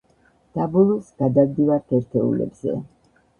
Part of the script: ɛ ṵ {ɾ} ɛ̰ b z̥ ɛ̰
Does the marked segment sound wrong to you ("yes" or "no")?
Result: yes